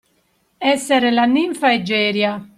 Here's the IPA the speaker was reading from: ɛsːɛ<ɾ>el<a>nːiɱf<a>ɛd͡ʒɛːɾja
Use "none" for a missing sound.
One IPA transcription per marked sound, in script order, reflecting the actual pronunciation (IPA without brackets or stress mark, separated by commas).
ɾ, a, a